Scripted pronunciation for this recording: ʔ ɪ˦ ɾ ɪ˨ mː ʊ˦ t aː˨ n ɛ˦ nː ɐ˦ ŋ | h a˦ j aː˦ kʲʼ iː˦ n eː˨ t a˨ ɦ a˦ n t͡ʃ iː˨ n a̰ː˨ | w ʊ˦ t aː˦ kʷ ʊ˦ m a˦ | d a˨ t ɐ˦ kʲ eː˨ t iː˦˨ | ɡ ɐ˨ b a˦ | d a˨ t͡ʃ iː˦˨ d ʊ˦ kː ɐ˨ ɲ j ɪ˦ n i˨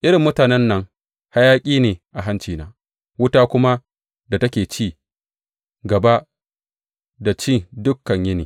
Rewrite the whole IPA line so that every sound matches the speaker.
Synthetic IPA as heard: ʔ ɪ˦ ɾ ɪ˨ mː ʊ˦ t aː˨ n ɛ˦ nː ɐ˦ ŋ | h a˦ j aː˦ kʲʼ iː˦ n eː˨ ʔ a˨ ɦ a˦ n t͡ʃ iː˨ n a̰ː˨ | w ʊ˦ t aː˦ kʷ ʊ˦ m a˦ | d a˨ t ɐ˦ kʲ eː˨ t͡ʃ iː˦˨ | ɡ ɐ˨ b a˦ | d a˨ t͡ʃ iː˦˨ d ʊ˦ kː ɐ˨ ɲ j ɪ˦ n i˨